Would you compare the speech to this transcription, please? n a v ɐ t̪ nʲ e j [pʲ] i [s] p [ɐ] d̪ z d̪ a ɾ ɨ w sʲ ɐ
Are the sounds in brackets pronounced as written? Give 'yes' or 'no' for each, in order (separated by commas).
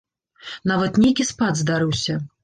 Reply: no, yes, no